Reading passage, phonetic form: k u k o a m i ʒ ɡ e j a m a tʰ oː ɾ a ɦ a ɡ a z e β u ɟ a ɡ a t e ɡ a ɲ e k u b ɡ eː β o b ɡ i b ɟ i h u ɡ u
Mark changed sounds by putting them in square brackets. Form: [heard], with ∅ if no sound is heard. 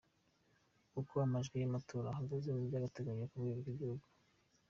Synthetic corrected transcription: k u k o a m [a] ʒ ɡ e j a m a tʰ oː ɾ a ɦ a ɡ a z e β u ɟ a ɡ a t e ɡ a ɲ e k u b ɡ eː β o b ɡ i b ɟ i h u ɡ u